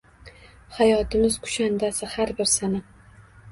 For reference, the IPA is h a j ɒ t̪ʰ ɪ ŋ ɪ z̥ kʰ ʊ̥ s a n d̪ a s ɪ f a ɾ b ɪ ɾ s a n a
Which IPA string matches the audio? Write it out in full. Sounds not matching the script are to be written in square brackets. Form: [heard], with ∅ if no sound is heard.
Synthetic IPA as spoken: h a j ɒ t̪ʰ ɪ [m] ɪ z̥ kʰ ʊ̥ [ʃ] a n d̪ a s ɪ [h] a ɾ b ɪ ɾ s a n a